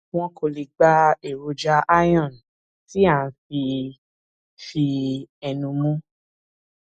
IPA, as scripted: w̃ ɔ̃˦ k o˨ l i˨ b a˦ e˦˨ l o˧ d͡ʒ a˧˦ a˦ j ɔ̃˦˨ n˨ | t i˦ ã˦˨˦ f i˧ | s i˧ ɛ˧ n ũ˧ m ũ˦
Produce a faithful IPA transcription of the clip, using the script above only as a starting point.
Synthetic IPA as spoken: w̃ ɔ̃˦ k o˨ l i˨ ɡ͡b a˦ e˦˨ ɾ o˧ d͡ʒ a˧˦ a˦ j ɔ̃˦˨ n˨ | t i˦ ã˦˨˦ f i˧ | f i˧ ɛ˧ n ũ˧ m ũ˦